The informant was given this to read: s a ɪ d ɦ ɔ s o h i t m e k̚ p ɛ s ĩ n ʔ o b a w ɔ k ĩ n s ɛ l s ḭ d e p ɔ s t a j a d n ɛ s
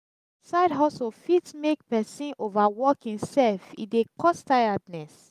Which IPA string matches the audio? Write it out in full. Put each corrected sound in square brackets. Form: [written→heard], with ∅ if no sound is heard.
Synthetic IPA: s a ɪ d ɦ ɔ s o [h→f] i t m e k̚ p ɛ s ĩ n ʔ o [b→v] a w ɔ k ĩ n s ɛ l [s→f] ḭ d e [p→k] ɔ s t a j a d n ɛ s